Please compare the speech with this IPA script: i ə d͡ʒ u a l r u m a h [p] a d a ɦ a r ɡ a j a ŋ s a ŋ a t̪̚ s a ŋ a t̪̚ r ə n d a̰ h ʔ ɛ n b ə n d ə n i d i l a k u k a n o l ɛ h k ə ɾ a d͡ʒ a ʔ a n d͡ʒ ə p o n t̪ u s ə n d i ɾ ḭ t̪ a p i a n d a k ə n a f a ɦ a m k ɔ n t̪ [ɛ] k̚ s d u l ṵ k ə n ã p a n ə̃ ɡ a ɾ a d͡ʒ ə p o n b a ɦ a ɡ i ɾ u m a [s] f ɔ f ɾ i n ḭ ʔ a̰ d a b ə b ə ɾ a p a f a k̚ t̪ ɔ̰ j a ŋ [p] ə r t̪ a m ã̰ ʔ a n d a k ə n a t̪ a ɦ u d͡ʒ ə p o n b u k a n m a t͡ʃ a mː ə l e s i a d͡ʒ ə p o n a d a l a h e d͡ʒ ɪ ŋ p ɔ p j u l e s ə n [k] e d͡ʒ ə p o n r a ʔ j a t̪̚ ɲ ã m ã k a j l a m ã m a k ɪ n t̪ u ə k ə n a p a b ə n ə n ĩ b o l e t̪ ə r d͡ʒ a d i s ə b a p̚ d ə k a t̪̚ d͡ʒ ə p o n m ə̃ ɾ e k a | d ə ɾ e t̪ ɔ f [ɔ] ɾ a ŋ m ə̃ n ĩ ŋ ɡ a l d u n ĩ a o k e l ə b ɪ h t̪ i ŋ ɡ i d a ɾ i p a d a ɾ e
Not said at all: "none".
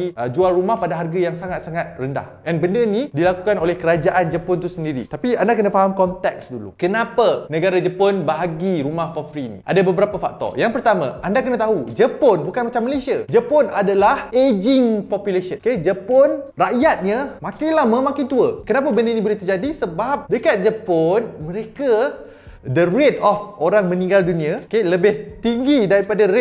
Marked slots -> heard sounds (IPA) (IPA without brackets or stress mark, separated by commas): p, ɛ, h, p, k, o